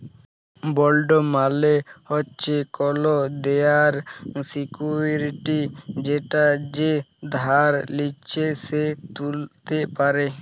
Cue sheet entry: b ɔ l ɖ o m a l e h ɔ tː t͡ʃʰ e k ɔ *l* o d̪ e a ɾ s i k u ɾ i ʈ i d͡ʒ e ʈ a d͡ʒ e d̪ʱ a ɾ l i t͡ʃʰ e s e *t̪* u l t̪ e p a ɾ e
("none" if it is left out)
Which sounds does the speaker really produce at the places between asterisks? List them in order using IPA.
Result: l, t̪

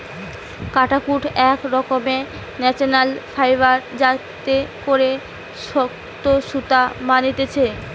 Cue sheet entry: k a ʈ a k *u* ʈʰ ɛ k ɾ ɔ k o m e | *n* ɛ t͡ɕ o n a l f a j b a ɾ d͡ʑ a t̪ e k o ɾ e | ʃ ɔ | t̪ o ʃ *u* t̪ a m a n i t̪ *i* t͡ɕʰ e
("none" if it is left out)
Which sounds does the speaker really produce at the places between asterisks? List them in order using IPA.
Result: u, n, u, e

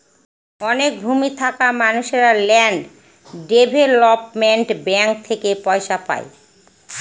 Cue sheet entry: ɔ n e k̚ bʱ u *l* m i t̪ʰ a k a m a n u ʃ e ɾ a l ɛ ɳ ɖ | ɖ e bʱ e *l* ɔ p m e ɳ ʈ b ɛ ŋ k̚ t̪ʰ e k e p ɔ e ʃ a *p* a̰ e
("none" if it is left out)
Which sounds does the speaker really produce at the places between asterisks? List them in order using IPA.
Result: none, l, p

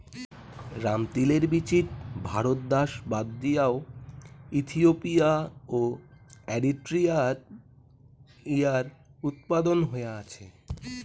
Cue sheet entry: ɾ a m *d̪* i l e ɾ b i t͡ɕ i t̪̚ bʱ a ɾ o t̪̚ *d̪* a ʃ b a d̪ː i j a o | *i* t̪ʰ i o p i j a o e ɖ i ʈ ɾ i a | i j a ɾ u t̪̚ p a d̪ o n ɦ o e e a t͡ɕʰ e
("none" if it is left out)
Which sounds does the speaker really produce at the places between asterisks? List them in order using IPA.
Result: t̪, d̪, i

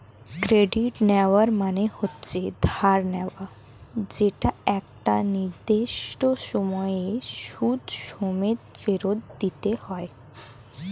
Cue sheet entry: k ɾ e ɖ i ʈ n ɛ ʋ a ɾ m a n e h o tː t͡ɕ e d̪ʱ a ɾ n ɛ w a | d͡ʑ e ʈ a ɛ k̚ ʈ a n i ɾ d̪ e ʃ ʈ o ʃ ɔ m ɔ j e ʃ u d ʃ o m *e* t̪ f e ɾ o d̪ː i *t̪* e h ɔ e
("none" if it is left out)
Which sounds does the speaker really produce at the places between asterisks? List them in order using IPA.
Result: e, t̪

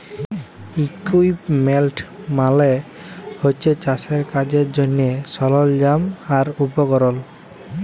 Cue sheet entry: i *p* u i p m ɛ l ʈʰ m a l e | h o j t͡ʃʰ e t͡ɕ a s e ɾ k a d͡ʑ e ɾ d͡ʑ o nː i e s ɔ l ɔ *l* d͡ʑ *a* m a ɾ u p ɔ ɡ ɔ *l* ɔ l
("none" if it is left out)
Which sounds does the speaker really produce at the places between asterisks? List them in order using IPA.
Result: k, l, a, ɾ

